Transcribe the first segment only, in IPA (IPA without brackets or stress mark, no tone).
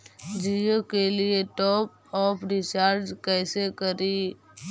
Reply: d͡ʒ